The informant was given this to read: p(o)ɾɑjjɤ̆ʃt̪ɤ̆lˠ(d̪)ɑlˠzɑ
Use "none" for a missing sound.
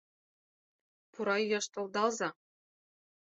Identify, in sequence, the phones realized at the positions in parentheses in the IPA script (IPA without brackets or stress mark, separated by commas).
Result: u, d̪